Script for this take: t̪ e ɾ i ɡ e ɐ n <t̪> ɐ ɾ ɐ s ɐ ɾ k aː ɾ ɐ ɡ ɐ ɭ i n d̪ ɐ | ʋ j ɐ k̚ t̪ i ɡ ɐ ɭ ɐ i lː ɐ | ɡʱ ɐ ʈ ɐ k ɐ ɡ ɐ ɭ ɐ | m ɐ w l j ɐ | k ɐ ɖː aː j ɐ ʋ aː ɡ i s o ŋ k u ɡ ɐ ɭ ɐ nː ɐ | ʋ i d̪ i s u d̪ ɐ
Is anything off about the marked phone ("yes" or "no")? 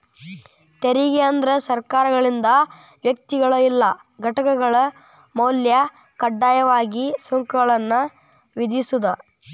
yes